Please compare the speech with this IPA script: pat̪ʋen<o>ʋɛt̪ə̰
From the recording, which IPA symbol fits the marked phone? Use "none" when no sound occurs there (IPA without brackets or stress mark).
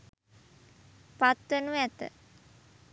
u